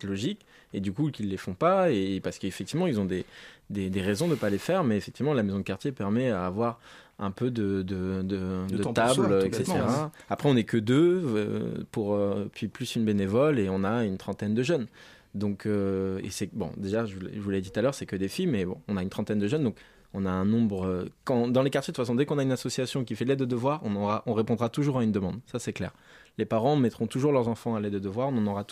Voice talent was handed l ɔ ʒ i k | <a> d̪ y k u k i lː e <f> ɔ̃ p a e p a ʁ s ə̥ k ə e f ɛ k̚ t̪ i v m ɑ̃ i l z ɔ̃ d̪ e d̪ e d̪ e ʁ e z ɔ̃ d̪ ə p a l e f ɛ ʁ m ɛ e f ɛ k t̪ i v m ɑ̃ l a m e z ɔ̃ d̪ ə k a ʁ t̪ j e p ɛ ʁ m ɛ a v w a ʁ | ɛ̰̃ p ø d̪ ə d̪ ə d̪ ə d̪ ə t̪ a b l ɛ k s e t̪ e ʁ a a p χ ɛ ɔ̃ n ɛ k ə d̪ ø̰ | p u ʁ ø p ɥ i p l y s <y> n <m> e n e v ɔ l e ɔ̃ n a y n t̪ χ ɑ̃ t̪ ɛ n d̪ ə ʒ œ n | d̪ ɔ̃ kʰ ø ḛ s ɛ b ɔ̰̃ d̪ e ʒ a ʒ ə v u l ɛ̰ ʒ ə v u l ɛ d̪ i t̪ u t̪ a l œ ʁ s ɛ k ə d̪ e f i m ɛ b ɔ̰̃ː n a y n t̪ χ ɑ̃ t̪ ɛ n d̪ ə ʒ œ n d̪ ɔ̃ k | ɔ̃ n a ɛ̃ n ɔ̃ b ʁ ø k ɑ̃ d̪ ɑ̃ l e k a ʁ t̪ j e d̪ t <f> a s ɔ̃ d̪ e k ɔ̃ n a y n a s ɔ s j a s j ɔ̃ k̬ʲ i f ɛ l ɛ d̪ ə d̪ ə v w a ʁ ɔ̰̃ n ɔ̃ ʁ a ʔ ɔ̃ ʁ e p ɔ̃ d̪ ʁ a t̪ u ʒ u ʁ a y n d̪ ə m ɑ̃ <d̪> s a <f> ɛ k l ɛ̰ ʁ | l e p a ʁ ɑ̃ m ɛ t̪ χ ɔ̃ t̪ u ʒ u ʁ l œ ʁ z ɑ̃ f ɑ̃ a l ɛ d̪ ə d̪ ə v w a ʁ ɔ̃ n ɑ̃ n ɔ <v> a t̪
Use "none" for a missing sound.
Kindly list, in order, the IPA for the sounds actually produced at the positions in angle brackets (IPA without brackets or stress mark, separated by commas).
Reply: e, f, y, b, f, d̪, s, ʁ